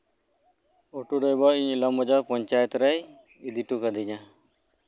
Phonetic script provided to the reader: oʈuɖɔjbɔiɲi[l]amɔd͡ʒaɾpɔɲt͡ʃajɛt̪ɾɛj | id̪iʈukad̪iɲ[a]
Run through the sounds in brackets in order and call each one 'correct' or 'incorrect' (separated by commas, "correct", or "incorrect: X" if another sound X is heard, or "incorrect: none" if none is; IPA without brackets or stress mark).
correct, correct